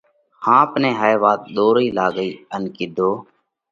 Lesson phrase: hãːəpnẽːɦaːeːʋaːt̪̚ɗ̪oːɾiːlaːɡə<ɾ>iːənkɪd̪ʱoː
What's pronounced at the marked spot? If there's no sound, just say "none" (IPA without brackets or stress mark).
none